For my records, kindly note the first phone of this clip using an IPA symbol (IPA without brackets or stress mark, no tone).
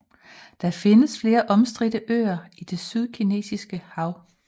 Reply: d̥